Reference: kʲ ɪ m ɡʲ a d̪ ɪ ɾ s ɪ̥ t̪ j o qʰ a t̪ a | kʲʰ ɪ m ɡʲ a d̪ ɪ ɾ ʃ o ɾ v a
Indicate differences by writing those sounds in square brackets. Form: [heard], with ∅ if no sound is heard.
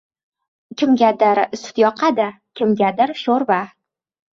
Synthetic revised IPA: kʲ ɪ m ɡʲ a d̪ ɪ ɾ s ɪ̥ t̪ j [ɒ] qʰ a [d̪] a | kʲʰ ɪ m ɡʲ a d̪ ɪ ɾ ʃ o ɾ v a